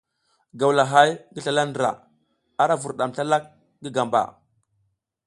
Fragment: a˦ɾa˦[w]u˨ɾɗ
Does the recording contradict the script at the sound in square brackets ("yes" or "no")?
yes